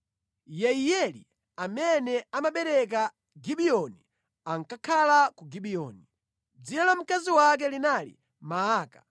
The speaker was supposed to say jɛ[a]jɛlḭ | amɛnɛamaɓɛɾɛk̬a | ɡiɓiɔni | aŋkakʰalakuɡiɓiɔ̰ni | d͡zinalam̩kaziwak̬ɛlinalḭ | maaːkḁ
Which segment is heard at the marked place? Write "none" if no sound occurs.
i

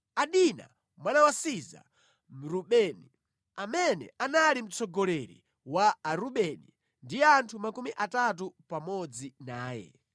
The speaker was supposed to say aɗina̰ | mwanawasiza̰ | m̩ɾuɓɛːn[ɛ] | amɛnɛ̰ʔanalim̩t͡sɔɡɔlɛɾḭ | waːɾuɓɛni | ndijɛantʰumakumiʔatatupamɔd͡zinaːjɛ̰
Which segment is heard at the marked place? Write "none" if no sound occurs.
i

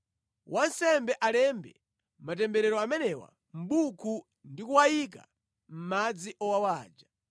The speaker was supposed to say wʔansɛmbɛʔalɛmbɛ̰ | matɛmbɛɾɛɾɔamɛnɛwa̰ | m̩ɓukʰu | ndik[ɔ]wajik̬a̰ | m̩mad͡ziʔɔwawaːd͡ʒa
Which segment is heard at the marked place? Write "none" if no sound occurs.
u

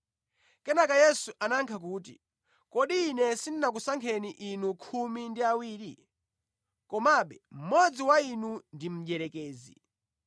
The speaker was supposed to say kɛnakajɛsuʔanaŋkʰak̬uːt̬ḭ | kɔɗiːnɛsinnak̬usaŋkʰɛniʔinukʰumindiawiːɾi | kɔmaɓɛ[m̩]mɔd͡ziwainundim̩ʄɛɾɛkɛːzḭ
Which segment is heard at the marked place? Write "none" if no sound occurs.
m̩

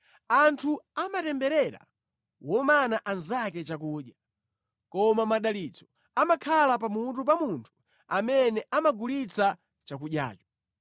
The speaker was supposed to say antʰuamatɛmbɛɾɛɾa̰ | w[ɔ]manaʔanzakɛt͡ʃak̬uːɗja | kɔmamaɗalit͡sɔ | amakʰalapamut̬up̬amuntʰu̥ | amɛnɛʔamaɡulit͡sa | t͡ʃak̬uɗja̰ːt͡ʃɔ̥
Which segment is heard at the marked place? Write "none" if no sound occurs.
ɔ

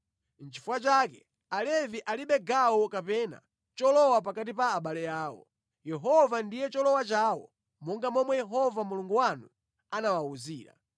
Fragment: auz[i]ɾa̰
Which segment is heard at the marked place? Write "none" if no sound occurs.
iː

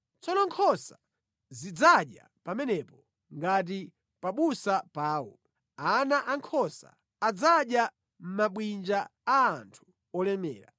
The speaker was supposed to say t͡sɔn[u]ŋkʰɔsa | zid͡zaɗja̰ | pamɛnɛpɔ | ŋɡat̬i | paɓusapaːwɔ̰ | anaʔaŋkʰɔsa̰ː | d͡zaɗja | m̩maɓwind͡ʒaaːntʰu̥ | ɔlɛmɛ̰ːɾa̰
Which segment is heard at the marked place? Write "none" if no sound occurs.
ɔ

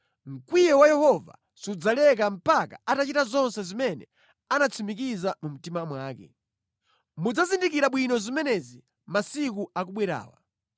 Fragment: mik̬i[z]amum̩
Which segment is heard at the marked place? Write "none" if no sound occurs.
z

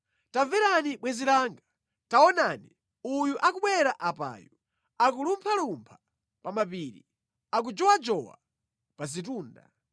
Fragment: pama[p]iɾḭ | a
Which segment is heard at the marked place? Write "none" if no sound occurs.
p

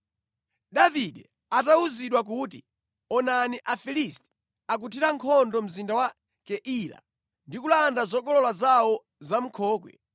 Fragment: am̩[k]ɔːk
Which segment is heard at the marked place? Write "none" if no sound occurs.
kʰ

